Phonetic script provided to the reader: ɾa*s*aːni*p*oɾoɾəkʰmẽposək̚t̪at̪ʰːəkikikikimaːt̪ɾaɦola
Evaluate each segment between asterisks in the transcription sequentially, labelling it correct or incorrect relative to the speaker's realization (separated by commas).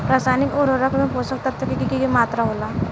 correct, incorrect